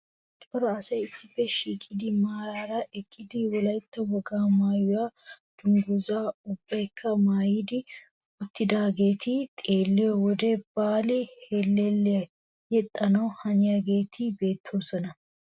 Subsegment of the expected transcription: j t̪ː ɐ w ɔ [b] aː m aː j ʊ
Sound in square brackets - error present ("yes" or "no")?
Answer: yes